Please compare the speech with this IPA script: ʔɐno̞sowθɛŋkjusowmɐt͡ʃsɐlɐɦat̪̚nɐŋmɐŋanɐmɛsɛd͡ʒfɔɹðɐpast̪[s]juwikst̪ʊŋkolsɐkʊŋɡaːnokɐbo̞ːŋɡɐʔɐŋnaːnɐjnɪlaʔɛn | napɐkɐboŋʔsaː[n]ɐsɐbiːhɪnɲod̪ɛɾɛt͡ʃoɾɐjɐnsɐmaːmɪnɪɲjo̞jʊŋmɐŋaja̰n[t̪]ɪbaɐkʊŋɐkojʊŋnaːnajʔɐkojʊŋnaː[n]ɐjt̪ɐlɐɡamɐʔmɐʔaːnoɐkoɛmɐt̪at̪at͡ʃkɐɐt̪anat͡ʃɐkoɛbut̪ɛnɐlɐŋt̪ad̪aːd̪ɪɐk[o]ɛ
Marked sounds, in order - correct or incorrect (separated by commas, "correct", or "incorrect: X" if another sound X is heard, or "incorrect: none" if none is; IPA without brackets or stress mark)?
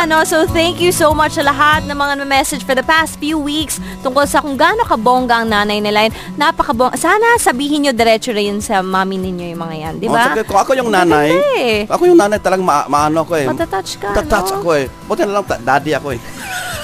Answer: incorrect: f, correct, incorrect: d̪, correct, correct